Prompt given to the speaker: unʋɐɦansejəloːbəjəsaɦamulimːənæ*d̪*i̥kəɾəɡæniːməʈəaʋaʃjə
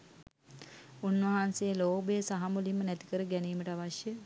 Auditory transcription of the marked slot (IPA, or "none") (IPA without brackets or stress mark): t̪